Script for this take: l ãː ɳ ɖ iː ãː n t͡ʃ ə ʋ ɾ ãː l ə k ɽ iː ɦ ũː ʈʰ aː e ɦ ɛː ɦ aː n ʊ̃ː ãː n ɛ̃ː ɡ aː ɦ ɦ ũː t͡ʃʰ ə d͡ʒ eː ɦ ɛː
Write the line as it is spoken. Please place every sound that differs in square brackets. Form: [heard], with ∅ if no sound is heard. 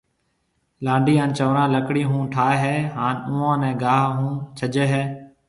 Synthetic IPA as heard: l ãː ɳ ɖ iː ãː n t͡ʃ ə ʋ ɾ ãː l ə k ɽ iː ɦ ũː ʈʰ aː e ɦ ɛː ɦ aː n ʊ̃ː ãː n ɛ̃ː ɡ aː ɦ ɦ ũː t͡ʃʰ ə d͡ʒ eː ɦ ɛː

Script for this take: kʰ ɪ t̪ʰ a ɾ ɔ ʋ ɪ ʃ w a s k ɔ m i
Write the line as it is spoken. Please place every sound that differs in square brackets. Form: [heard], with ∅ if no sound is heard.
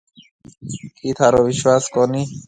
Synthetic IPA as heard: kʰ [i] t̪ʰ a ɾ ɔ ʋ [i] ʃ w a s k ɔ [n] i

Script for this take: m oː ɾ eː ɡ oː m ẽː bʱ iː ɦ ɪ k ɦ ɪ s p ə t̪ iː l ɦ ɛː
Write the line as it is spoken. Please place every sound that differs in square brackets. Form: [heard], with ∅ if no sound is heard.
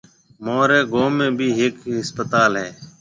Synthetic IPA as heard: m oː ɾ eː ɡ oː m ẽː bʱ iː ɦ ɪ k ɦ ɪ s p ə t̪ [aː] l ɦ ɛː

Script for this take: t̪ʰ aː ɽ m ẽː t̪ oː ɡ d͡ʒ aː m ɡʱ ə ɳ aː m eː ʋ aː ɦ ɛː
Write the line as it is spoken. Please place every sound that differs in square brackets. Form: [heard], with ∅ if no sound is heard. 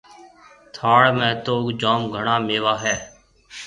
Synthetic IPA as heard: t̪ʰ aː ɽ m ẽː t̪ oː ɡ d͡ʒ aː m ɡʱ ə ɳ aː m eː ʋ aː ɦ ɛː

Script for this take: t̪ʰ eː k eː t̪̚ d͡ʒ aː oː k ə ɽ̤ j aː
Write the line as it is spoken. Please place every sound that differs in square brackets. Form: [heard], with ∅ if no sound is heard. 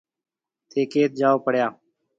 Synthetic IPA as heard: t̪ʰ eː k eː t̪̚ d͡ʒ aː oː [p] ə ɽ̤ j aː

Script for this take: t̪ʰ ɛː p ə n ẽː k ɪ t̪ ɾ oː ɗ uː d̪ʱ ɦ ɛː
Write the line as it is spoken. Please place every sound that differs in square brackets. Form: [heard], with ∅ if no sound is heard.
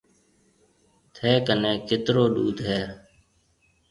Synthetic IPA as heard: t̪ʰ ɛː [k] ə n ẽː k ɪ t̪ ɾ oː ɗ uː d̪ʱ ɦ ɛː

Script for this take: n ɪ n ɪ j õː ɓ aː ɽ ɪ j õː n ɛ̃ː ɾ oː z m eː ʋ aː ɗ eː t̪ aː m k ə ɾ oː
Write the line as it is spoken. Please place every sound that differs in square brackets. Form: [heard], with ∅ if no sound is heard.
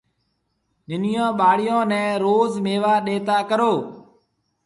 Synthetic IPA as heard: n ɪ n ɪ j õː ɓ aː ɽ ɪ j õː n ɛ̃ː ɾ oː z m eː ʋ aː ɗ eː t̪ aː [∅] k ə ɾ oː

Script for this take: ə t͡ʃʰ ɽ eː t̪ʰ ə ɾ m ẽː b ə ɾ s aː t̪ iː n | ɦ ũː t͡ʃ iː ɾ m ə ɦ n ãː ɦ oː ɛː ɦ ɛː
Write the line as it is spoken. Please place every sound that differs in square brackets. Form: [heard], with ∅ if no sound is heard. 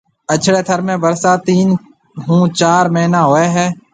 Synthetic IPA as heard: ə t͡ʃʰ ɽ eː t̪ʰ ə ɾ m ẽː b ə ɾ s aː t̪ iː n | ɦ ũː t͡ʃ [aː] ɾ m ə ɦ n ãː ɦ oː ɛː ɦ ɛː

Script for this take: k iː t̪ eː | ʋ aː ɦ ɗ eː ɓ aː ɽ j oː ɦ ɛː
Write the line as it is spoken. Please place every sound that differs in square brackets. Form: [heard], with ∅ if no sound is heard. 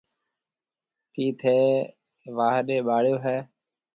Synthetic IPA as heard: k iː [t̪ʰ] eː | ʋ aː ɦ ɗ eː ɓ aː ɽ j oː ɦ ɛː

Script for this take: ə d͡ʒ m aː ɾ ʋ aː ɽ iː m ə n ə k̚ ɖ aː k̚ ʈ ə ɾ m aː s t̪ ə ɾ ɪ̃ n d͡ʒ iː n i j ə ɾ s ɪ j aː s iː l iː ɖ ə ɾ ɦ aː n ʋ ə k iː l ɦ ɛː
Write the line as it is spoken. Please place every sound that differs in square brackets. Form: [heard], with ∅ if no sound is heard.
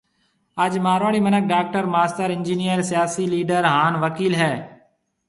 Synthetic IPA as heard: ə d͡ʒ m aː ɾ ʋ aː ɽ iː m ə n ə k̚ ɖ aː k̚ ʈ ə ɾ m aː s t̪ ə ɾ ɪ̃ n d͡ʒ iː n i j ə ɾ s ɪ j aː s iː l iː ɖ ə ɾ ɦ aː n ʋ ə k iː l ɦ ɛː

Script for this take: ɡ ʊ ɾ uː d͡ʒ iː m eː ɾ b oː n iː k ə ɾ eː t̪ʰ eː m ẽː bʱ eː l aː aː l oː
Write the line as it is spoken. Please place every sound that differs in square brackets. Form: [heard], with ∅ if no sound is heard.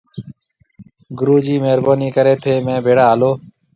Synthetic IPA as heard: ɡ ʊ ɾ uː d͡ʒ iː m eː ɾ b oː n iː k ə ɾ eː t̪ʰ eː m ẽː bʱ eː [ɽ] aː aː l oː

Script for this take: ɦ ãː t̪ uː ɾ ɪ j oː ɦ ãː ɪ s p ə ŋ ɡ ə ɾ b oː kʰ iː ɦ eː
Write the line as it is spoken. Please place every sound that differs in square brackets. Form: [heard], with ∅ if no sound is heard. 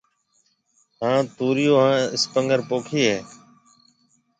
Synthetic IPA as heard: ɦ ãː t̪ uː ɾ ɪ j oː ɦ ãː ɪ s p ə ŋ ɡ ə ɾ [p] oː kʰ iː ɦ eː

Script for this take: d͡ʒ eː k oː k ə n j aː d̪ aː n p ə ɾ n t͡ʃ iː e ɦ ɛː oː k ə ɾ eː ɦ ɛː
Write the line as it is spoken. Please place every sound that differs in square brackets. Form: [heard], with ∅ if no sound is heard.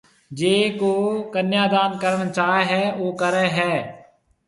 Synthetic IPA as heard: d͡ʒ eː k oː k ə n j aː d̪ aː n [k] ə ɾ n t͡ʃ [aː] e ɦ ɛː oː k ə ɾ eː ɦ ɛː

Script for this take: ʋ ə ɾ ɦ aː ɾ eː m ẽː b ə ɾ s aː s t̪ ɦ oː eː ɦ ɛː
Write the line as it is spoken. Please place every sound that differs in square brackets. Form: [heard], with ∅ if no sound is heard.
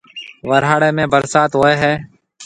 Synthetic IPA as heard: ʋ ə ɾ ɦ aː [ɽ] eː m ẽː b ə ɾ s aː [∅] t̪ ɦ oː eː ɦ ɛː

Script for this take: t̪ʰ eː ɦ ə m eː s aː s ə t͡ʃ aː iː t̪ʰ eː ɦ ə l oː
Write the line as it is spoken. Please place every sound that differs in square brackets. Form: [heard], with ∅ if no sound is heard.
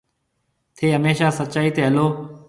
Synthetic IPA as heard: t̪ʰ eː ɦ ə m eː [ʃ] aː s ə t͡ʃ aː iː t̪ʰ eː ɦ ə l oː

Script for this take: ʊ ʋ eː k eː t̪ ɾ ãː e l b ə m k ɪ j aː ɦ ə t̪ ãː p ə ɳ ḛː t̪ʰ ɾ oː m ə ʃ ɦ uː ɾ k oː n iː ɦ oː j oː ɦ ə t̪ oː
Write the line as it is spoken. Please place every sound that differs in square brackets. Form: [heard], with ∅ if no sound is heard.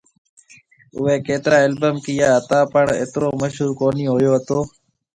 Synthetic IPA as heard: ʊ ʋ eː k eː t̪ ɾ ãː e l b ə m k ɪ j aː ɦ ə t̪ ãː p ə ɳ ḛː [t̪] ɾ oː m ə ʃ ɦ uː ɾ k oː n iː ɦ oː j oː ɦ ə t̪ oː

